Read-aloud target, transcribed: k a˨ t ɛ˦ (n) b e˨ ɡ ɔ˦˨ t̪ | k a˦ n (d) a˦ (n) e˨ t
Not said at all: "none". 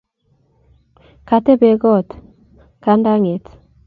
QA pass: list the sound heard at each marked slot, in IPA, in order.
none, d, ŋ

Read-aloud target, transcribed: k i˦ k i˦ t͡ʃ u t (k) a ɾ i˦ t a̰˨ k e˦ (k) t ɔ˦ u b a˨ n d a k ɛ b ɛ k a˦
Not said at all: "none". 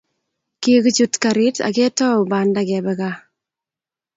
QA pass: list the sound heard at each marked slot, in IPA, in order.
k, none

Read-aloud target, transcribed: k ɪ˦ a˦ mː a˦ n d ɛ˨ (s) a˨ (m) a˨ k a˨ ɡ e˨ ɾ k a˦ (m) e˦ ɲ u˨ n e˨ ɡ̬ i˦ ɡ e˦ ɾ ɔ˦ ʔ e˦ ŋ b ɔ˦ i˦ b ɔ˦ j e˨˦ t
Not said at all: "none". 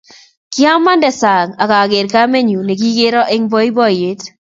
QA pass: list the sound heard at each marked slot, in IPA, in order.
s, ŋ, m

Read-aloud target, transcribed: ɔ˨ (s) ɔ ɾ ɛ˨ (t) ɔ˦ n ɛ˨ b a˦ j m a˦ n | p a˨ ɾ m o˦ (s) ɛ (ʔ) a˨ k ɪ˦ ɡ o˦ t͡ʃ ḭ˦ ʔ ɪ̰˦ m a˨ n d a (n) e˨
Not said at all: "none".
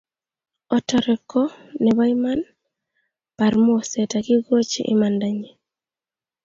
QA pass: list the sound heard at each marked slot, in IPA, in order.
t, k, s, t, ɲ

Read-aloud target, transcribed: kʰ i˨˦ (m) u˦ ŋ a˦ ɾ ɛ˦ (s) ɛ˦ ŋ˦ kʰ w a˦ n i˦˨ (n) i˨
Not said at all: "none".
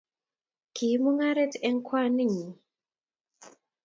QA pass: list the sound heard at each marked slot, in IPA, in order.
m, t, ɲ

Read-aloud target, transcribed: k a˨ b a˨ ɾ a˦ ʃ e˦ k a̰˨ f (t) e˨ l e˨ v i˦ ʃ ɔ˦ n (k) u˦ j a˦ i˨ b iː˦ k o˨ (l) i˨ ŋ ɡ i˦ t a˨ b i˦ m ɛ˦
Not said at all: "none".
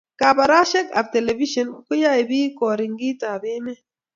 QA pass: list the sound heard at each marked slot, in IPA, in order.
t, k, ɾ

